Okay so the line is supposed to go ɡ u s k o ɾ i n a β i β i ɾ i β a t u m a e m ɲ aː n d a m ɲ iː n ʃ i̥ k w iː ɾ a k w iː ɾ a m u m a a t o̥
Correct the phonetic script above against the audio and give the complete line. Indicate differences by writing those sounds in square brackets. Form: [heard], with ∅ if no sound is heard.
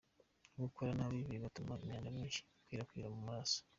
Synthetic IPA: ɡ u [∅] k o ɾ [a] n a β i β i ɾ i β a t u m a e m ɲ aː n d a m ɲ iː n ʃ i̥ k w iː ɾ a k w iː ɾ a m u m a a [s] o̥